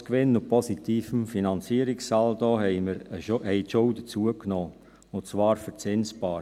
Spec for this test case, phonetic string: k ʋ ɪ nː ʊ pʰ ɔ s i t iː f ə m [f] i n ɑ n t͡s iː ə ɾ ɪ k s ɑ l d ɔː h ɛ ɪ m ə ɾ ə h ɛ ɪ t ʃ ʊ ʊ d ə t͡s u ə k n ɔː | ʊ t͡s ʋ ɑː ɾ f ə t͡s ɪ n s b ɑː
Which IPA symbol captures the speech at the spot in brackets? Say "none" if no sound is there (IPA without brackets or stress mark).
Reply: f